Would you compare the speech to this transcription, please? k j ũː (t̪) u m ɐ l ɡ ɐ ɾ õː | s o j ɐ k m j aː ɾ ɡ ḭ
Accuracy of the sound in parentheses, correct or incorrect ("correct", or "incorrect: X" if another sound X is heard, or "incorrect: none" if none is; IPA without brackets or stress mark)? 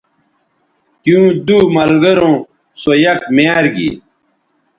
incorrect: d̪